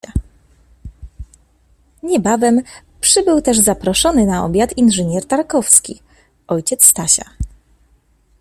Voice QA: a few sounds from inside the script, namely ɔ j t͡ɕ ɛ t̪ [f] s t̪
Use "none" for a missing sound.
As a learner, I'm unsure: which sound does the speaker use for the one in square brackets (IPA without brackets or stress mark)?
s